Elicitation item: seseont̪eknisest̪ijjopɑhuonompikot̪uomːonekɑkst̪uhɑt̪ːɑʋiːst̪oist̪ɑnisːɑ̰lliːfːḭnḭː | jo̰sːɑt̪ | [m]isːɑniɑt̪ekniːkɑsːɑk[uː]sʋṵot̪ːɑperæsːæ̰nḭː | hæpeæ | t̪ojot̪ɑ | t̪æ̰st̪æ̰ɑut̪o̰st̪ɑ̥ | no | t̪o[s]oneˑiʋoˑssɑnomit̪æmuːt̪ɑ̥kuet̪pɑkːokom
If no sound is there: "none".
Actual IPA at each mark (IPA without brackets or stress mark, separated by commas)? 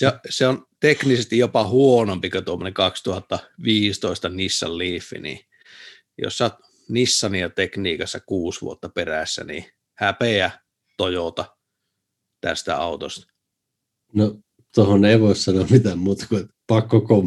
n, uː, h